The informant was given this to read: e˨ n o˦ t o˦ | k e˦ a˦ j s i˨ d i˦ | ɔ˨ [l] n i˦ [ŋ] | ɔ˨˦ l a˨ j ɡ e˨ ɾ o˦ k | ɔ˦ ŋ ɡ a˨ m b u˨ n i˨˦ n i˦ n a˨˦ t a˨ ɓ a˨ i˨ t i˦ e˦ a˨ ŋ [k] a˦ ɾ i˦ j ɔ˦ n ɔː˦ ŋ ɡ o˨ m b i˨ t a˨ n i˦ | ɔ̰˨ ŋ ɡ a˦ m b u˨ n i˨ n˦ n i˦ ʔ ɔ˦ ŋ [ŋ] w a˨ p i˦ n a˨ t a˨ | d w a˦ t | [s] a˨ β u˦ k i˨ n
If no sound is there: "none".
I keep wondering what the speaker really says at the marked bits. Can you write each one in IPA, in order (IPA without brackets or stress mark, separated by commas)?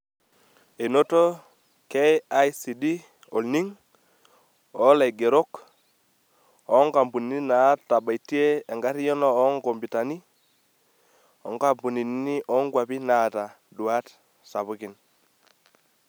l, ŋ, ɡ, ɡ, s